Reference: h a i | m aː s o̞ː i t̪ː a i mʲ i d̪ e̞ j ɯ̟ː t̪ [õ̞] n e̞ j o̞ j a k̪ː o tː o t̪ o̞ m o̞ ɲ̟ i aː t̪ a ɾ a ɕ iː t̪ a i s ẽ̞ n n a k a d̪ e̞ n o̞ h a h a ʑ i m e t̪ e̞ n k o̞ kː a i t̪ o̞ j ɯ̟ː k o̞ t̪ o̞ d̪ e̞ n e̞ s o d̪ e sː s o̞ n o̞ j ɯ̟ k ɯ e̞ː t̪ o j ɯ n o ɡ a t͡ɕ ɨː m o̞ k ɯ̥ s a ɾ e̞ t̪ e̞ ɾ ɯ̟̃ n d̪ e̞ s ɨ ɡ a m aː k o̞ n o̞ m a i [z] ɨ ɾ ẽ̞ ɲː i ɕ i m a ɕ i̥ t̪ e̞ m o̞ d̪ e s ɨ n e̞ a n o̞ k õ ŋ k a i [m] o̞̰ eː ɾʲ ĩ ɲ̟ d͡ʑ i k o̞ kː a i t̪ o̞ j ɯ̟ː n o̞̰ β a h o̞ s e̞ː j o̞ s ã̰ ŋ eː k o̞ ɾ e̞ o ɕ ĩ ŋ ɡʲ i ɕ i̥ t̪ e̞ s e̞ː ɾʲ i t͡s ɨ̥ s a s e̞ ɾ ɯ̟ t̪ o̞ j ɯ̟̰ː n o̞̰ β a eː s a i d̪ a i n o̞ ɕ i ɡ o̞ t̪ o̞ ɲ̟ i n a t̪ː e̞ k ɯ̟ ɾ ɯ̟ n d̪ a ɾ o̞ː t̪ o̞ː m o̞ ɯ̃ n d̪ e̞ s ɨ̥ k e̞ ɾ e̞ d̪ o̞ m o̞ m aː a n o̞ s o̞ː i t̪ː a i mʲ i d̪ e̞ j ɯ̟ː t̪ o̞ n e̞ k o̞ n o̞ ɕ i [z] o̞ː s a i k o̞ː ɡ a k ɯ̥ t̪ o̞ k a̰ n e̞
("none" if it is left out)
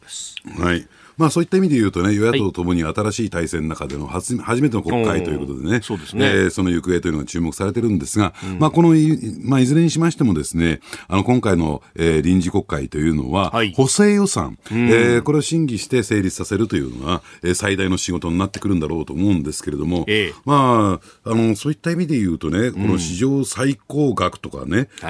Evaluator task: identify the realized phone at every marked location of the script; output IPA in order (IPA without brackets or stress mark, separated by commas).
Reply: o̞, z, n, ʑ